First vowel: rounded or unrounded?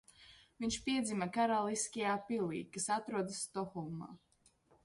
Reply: unrounded